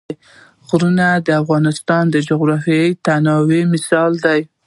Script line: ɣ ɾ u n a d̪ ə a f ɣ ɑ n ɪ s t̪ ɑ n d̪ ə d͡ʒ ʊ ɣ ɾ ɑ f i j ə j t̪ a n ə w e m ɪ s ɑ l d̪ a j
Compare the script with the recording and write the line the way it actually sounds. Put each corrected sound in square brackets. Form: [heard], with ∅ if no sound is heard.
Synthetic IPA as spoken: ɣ ɾ u n a d̪ ə a f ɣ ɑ n ɪ s t̪ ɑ n d̪ ə d͡ʒ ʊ ɣ ɾ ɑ f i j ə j t̪ a n [ɑ] w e m ɪ s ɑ l d̪ a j